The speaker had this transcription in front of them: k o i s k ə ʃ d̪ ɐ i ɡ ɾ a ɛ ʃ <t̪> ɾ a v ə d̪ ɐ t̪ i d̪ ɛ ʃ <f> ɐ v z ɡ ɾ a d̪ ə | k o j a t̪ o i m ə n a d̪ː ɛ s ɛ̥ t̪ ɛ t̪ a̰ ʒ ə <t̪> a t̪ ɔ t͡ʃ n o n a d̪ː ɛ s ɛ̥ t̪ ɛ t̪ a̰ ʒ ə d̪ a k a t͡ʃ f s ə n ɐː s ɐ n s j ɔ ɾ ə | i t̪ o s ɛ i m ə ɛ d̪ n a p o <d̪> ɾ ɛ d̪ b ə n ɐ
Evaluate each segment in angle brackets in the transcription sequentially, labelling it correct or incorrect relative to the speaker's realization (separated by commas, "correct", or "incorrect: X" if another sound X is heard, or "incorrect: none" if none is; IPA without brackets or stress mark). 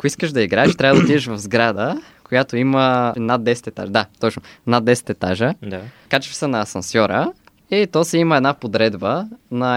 correct, incorrect: v, incorrect: d̪, correct